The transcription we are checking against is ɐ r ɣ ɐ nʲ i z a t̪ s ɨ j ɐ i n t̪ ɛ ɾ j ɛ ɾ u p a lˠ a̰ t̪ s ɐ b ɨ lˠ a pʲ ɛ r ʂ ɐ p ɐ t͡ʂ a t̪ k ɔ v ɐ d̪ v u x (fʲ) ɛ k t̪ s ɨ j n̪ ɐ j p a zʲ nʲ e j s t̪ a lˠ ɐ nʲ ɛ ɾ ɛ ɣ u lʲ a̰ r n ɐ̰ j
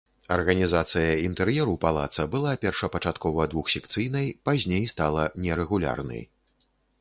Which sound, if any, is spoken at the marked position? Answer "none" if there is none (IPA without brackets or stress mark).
sʲ